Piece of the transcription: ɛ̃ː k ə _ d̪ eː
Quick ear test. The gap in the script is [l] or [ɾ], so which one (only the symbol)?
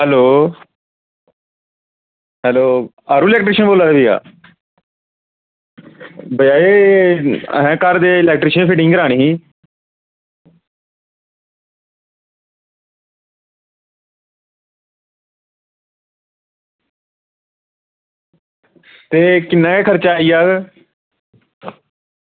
ɾ